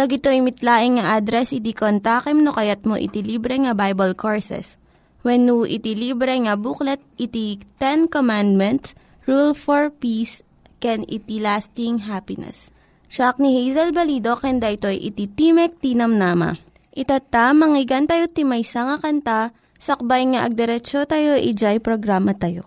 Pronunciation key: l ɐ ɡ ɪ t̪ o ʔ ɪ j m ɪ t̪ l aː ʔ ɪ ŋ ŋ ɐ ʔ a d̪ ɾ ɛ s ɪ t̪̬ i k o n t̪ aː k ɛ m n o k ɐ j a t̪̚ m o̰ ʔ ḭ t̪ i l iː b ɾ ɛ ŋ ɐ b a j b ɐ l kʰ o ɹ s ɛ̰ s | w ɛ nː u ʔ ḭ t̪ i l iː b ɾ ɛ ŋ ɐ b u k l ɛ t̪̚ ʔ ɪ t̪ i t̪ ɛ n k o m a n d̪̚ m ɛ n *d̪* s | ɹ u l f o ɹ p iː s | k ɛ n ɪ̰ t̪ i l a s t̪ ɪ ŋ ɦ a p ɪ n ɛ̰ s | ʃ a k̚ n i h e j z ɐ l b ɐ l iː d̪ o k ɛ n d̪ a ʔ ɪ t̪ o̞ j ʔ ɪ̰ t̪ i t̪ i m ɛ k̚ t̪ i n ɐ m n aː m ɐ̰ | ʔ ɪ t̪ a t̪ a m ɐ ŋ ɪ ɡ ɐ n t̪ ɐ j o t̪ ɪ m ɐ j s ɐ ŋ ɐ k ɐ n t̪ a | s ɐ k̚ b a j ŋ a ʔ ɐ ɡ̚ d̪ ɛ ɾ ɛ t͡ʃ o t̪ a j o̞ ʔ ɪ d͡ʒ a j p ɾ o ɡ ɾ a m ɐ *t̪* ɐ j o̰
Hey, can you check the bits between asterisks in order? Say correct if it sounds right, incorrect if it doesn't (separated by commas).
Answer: incorrect, correct